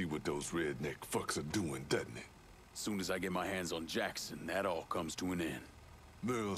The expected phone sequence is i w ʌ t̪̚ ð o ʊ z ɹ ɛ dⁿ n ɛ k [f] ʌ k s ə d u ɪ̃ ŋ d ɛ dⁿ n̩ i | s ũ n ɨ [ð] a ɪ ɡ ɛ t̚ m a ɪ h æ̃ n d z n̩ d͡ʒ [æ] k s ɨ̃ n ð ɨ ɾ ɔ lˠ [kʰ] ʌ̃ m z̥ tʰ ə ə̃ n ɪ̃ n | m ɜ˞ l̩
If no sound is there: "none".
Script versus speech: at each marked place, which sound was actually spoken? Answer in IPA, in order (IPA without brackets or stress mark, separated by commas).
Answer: f, z, æ, kʰ